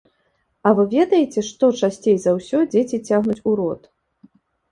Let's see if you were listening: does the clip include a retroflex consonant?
yes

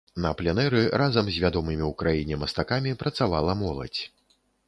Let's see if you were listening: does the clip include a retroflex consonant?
no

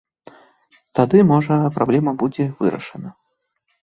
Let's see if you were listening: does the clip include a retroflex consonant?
yes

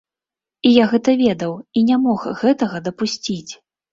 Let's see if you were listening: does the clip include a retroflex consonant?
no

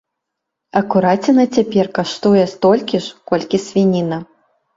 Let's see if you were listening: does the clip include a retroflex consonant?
yes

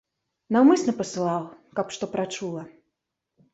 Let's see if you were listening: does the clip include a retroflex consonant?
yes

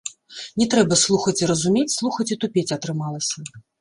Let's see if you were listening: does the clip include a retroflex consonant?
no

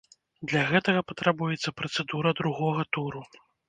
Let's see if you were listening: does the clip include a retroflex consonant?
no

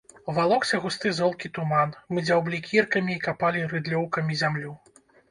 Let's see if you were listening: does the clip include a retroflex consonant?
no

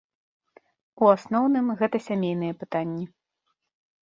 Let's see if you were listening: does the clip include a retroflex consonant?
no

